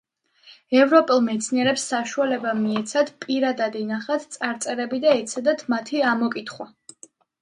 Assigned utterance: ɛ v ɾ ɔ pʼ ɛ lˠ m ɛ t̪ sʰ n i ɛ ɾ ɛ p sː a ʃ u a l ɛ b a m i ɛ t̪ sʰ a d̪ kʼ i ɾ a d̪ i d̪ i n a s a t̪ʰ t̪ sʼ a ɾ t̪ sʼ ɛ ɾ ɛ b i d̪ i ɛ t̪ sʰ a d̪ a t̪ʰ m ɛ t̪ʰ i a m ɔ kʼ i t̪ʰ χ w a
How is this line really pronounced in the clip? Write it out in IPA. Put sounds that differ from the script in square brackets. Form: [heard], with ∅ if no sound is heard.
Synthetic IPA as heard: ɛ v ɾ ɔ pʼ ɛ lˠ m ɛ t̪ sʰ n i ɛ ɾ ɛ p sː a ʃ u a l ɛ b a m i ɛ t̪ sʰ a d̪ [pʼ] i ɾ a d̪ [a] d̪ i n a [χ] a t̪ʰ t̪ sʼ a ɾ t̪ sʼ ɛ ɾ ɛ b i d̪ [a] ɛ t̪ sʰ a d̪ a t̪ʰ m [a] t̪ʰ i a m ɔ kʼ i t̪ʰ χ w a